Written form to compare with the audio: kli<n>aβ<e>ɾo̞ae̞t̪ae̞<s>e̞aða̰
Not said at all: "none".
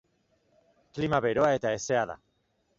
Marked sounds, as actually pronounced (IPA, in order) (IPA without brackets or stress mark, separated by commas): m, e, s